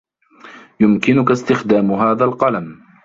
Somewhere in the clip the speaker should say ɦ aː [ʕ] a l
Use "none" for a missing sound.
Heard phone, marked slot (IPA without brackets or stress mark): ð